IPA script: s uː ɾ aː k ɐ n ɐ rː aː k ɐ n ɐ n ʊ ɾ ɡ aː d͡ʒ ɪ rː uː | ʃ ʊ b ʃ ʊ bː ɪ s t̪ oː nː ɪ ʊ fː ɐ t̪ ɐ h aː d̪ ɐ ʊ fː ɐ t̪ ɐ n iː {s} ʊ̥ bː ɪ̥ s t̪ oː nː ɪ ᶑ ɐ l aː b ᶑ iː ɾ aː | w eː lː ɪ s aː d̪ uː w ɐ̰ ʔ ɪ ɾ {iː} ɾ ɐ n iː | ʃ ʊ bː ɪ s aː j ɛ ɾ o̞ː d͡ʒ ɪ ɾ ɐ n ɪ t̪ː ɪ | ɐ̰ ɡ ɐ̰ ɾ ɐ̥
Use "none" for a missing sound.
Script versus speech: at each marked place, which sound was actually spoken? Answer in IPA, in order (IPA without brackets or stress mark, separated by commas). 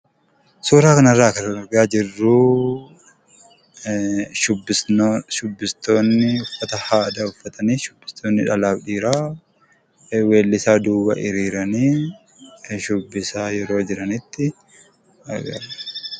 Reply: ʃ, iː